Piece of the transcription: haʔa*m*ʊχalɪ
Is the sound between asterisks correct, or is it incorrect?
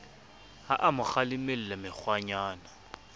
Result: correct